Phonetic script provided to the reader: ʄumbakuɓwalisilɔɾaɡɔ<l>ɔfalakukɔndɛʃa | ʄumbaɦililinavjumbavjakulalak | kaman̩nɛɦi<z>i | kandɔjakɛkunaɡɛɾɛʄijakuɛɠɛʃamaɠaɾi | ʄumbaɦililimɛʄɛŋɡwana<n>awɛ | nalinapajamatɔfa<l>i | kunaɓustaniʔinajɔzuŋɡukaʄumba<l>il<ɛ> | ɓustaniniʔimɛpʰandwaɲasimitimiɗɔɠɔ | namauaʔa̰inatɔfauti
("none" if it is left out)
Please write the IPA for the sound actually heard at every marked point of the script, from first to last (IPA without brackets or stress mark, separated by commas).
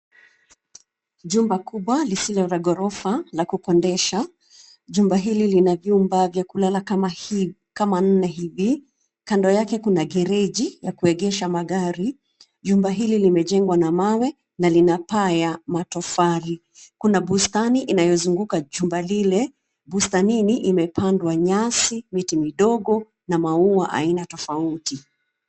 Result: ɾ, v, m, ɾ, l, ɛ